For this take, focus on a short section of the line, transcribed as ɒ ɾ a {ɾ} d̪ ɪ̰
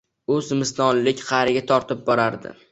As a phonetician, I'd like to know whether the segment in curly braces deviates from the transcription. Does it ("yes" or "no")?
no